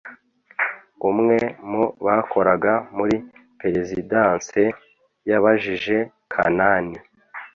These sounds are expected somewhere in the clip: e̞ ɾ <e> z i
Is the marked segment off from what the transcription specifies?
no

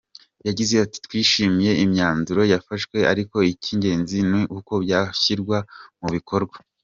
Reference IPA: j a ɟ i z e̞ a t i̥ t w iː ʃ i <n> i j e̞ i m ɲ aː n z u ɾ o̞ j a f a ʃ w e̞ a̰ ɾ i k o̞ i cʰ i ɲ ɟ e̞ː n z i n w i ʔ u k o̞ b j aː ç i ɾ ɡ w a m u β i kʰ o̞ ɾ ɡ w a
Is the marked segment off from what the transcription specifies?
yes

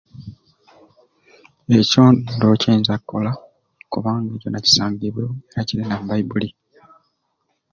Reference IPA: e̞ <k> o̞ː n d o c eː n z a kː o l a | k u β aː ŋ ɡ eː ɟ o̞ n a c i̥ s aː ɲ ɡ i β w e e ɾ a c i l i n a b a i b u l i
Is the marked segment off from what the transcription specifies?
yes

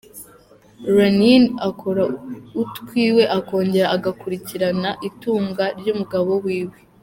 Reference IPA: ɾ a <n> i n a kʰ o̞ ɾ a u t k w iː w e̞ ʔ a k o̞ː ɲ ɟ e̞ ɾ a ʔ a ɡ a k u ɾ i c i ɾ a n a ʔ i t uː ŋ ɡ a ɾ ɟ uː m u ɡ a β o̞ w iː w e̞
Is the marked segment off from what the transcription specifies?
no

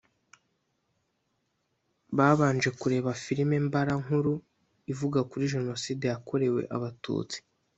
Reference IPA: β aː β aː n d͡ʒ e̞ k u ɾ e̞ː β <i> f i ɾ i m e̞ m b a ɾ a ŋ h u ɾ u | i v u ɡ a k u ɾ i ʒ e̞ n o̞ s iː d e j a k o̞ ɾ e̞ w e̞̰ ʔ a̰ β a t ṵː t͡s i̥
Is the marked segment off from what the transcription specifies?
yes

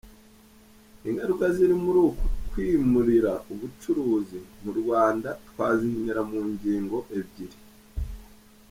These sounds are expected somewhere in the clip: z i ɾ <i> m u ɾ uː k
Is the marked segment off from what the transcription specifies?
no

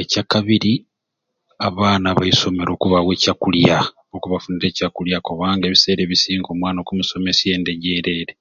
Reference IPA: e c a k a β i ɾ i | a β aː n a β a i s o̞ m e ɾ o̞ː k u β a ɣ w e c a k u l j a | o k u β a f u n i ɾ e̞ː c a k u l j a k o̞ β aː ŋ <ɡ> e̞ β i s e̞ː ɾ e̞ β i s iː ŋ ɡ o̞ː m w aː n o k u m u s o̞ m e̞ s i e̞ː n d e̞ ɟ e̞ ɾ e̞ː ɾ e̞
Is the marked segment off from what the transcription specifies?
no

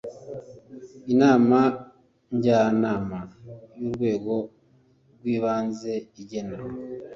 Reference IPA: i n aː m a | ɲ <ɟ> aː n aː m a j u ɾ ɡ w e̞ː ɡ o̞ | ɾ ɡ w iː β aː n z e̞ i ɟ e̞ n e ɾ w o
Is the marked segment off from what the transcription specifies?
no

